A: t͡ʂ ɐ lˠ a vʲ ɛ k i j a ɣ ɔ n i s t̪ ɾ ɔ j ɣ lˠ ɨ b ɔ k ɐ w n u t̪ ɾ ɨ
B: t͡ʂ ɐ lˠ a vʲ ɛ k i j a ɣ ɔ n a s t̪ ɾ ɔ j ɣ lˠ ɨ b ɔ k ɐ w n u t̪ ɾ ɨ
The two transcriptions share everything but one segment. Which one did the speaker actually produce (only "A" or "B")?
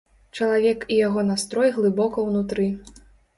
B